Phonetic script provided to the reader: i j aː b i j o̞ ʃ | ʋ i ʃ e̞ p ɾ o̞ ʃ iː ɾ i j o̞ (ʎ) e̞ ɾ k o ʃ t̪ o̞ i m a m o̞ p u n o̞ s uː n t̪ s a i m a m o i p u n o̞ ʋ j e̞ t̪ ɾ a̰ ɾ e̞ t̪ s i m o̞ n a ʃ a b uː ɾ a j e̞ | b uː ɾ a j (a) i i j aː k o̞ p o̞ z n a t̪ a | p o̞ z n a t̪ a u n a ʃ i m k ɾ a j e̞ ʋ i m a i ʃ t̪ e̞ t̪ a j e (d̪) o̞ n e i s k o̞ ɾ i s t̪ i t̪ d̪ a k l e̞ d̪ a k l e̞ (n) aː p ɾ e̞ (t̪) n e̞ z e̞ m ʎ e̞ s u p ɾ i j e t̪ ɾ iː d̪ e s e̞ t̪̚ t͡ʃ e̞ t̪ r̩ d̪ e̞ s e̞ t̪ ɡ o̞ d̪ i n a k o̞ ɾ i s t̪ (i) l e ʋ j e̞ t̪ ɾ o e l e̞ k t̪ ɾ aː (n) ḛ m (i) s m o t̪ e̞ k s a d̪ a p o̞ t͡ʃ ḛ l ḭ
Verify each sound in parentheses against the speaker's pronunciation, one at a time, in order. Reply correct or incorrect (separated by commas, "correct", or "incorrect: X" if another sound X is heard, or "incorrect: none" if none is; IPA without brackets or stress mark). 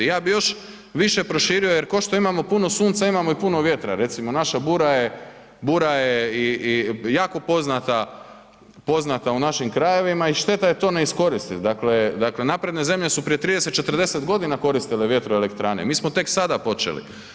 incorrect: j, incorrect: e, incorrect: t̪, correct, incorrect: d̪, correct, correct, incorrect: iː